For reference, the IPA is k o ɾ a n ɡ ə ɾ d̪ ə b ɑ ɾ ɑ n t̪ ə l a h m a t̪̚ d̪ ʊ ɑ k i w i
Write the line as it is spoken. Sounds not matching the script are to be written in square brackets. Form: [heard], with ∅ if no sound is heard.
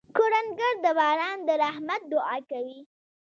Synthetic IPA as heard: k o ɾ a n ɡ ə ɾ d̪ ə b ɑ ɾ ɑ n [d̪] ə [ɾ] a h m a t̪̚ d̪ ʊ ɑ k [a] w i